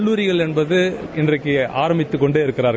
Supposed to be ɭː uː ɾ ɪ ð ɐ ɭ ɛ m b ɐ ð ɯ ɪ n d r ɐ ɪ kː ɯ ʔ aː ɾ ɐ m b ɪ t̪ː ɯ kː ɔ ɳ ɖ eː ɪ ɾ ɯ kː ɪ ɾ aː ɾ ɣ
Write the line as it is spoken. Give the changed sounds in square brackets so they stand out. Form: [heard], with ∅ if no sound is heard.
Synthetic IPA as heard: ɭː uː ɾ ɪ [ɣ] ɐ ɭ ɛ [n] b ɐ ð ɯ ɪ n d r ɐ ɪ kː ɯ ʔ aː ɾ ɐ m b ɪ t̪ː ɯ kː ɔ ɳ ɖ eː ɪ ɾ ɯ kː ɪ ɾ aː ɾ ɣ